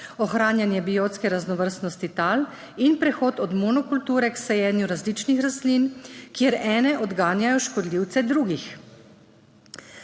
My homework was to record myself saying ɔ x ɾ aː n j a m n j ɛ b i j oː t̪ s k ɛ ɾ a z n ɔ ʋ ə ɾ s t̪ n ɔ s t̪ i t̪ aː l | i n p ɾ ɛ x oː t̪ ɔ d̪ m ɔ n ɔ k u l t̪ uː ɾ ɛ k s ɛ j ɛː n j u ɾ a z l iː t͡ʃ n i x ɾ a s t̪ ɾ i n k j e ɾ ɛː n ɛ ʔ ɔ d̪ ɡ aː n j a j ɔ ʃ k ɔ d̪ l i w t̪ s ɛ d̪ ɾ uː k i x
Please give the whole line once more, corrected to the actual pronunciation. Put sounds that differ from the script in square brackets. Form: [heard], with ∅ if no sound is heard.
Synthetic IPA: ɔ x ɾ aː n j a [∅] n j ɛ b i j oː t̪ s k ɛ ɾ a z n ɔ ʋ ə ɾ s t̪ n ɔ s t̪ i t̪ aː l | i n p ɾ ɛ x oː t̪ ɔ d̪ m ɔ n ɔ k u l t̪ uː ɾ ɛ k s ɛ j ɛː n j u ɾ a z l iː t͡ʃ n i x ɾ a s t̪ [l] i n k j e ɾ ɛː n ɛ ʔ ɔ d̪ ɡ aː n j a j ɔ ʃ k ɔ d̪ l i w t̪ s ɛ d̪ ɾ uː [ɡ] i x

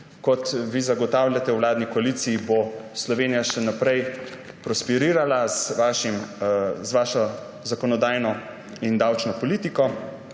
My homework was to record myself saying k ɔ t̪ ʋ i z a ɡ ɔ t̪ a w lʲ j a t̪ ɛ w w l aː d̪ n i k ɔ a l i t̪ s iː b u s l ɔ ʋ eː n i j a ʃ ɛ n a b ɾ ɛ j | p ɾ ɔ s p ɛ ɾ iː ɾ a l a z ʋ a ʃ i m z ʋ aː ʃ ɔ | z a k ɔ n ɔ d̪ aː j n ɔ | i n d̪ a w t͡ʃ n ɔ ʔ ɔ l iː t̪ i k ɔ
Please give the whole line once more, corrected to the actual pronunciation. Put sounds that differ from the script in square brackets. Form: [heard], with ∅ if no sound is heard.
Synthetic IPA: k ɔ t̪ ʋ i z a ɡ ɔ t̪ a w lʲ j a t̪ ɛ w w l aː d̪ n i k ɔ a l i t̪ s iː b [o] s l ɔ ʋ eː n i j a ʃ ɛ n a [p] ɾ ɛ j | p ɾ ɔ s p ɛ ɾ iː ɾ a l a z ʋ a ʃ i m z ʋ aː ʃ ɔ | z a k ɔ n ɔ d̪ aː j n ɔ | i n d̪ a w t͡ʃ n ɔ [p] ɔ l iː t̪ i k ɔ

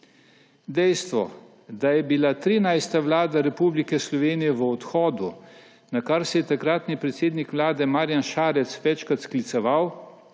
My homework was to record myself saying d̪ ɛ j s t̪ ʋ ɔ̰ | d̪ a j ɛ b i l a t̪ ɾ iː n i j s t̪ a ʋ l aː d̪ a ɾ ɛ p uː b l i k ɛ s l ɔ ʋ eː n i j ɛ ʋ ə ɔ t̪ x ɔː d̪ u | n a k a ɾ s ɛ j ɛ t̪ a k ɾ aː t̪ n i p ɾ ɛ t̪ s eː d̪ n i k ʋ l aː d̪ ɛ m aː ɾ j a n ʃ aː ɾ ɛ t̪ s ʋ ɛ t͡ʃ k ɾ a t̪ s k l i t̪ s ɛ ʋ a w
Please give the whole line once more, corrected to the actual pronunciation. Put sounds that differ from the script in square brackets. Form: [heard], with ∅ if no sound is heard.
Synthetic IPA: d̪ ɛ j s t̪ ʋ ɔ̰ | d̪ a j ɛ b i l a t̪ ɾ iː n [a] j s t̪ a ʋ l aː d̪ a ɾ ɛ p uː b l i k ɛ s l ɔ ʋ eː n i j ɛ ʋ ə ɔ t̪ x ɔː d̪ u | n a k a ɾ s ɛ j ɛ t̪ a k ɾ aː t̪ n i p ɾ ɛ t̪ s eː d̪ n i k ʋ l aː d̪ ɛ m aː ɾ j a n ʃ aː ɾ ɛ t̪ s ʋ ɛ t͡ʃ k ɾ a t̪ s k l i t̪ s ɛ ʋ a w

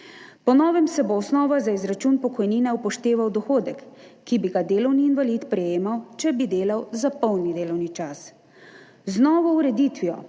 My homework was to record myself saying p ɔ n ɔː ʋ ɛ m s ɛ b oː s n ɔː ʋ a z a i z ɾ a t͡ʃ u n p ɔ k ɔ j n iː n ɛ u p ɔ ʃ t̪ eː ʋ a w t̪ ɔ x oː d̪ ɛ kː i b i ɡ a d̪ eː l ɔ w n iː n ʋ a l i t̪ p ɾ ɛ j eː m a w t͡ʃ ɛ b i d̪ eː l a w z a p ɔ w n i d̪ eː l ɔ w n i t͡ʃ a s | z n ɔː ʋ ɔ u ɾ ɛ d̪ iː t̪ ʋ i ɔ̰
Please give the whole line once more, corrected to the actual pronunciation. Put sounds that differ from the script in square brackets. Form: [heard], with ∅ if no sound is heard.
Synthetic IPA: p ɔ n ɔː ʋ ɛ m s ɛ b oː s n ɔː ʋ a z a i z ɾ a t͡ʃ u n p ɔ k ɔ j n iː n ɛ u p ɔ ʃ t̪ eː ʋ a w [d̪] ɔ x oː d̪ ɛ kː i b i ɡ a d̪ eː l ɔ w n iː n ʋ a l i t̪ p ɾ ɛ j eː m a w t͡ʃ ɛ b i d̪ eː l a w z a p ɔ w n i d̪ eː l ɔ w n i t͡ʃ a s | z n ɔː ʋ ɔ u ɾ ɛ d̪ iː t̪ ʋ i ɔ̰

